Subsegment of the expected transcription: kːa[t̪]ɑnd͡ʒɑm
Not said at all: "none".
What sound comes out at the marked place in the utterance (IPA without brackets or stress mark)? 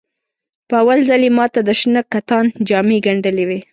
t̪